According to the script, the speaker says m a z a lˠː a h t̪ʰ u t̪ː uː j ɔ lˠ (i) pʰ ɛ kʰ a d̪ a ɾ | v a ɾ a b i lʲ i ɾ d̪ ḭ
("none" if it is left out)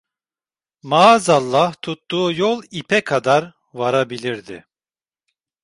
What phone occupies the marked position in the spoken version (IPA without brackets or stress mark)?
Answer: i